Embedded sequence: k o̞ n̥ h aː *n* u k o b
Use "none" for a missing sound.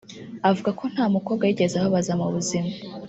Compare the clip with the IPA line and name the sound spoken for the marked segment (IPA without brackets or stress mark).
m